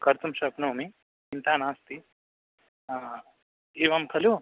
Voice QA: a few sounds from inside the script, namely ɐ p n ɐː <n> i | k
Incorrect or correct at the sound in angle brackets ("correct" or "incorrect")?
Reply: incorrect